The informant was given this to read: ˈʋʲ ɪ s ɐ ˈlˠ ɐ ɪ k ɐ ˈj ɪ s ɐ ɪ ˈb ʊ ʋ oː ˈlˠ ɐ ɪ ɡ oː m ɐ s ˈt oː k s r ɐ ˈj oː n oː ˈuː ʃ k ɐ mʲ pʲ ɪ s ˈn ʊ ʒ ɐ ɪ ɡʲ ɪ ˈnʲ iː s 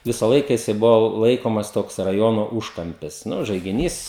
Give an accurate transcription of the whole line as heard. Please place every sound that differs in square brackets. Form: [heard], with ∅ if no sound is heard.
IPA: ˈʋʲ ɪ s ɐ ˈlˠ ɐ ɪ k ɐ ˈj ɪ s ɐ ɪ ˈb ʊ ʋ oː ˈlˠ ɐ ɪ [k] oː m ɐ s ˈt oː k s r ɐ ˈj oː n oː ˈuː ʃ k ɐ mʲ pʲ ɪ s ˈn ʊ ʒ ɐ ɪ ɡʲ ɪ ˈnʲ iː s